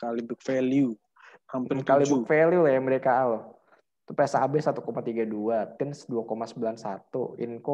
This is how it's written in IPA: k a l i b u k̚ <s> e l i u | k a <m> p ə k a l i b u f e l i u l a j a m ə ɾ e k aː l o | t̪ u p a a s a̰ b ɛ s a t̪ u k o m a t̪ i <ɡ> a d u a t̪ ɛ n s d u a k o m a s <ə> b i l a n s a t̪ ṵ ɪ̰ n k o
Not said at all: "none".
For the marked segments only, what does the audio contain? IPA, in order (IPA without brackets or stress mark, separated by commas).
f, m, ɡ, ə